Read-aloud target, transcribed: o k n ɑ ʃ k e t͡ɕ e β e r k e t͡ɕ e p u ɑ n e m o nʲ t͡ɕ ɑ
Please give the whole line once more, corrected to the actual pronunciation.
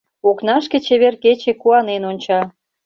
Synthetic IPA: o k n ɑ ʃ k e t͡ɕ e β e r k e t͡ɕ e k u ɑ n e n o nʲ t͡ɕ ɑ